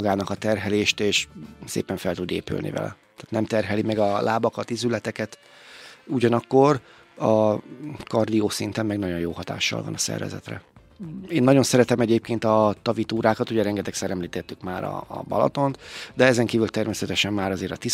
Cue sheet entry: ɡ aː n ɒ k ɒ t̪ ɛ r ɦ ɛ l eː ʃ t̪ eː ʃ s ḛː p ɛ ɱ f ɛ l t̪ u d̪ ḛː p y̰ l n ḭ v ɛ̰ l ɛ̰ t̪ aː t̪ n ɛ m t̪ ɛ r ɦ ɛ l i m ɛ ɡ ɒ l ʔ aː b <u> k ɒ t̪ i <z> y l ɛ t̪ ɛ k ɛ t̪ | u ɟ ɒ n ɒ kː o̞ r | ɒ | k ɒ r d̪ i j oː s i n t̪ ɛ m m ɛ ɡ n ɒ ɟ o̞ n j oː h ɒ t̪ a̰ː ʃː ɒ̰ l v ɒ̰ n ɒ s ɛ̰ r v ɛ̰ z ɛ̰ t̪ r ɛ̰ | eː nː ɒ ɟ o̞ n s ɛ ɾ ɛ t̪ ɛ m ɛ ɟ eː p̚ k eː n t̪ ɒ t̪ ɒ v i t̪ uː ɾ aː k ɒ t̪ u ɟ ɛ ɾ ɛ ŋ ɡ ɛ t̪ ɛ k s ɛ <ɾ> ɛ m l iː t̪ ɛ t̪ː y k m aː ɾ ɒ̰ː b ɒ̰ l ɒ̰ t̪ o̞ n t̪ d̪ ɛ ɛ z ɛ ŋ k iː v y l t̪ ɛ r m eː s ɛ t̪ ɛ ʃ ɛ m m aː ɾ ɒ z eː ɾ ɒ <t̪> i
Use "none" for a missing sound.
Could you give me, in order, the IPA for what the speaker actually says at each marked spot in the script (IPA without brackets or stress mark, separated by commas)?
ɒ, z, ɾ, t̪